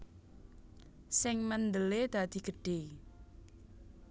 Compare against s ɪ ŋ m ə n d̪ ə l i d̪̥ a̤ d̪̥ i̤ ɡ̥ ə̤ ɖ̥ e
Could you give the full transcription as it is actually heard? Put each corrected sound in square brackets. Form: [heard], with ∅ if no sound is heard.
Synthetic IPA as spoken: s ɪ ŋ m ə n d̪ ə l [e] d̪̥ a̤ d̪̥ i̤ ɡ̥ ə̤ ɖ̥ e